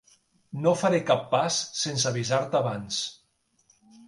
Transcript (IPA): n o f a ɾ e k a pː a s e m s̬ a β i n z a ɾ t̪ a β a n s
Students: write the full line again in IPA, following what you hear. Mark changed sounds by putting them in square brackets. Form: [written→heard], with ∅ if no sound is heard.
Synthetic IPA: n o f a ɾ e k a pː a [s→sː] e [m→n] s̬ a β i [n→∅] z a ɾ t̪ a β a n s